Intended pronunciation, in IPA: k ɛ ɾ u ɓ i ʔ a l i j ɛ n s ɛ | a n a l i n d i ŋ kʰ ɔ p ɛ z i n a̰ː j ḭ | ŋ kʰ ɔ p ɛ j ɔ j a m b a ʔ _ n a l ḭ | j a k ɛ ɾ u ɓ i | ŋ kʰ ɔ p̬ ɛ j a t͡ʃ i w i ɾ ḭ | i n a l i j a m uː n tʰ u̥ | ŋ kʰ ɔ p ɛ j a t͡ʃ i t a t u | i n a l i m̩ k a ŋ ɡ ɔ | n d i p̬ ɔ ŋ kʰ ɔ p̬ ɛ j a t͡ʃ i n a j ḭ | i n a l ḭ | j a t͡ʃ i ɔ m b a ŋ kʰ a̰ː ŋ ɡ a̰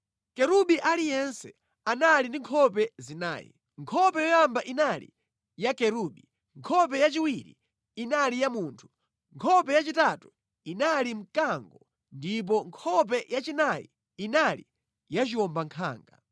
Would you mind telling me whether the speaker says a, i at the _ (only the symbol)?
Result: i